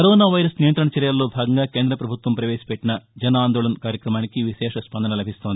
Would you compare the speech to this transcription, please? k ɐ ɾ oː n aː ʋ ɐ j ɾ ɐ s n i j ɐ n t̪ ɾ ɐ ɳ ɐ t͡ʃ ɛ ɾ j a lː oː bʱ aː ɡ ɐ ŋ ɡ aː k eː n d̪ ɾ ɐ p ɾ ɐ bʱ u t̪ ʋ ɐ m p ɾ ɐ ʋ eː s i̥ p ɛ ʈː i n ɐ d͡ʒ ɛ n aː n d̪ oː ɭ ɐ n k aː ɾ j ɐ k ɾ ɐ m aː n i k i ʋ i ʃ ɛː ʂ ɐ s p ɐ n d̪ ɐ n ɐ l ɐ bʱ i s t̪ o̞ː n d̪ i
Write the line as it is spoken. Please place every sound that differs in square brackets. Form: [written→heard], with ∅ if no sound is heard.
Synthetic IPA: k ɐ ɾ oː n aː ʋ ɐ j ɾ ɐ s n i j ɐ n t̪ ɾ ɐ ɳ ɐ t͡ʃ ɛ ɾ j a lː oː bʱ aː ɡ ɐ ŋ ɡ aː k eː n d̪ ɾ ɐ p ɾ ɐ bʱ u t̪ ʋ ɐ m p ɾ ɐ ʋ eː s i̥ p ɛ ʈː i n ɐ d͡ʒ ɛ n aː n d̪ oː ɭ ɐ n k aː ɾ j ɐ k ɾ ɐ m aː n i k i ʋ i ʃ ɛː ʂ ɐ s p ɐ n d̪ ɐ n ɐ l ɐ bʱ i s t̪ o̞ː n d̪ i